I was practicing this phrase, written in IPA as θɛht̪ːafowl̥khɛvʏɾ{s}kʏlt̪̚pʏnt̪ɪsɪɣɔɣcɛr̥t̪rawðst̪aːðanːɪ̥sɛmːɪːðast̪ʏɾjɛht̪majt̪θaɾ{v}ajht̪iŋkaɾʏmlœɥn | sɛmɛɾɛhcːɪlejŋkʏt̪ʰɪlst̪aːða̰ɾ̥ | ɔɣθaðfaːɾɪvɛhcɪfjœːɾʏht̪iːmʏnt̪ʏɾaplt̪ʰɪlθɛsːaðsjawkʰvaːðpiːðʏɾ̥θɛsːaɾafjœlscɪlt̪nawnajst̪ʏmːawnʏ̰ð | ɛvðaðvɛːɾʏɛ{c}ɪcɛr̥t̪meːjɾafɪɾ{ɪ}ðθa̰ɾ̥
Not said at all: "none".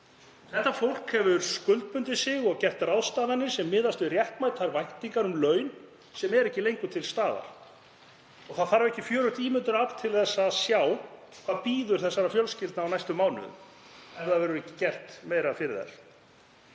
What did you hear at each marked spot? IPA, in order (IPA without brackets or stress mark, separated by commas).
s, v, c, ɪ